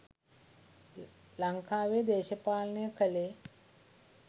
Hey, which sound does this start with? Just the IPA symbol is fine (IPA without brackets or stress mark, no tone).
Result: l